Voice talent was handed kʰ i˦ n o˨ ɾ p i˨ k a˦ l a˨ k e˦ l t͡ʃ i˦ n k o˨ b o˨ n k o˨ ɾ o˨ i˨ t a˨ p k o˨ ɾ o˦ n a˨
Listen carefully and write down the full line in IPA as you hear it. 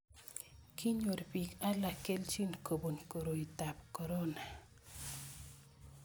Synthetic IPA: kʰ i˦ ɲ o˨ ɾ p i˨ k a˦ l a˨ k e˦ l t͡ʃ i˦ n k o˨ b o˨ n k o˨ ɾ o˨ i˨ t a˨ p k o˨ ɾ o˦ n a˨